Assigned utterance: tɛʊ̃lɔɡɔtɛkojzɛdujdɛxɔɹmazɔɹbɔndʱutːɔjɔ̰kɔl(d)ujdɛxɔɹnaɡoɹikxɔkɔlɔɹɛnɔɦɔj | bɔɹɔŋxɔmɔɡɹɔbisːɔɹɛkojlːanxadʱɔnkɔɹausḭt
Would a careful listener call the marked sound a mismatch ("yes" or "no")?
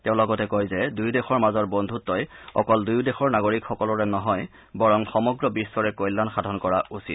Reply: no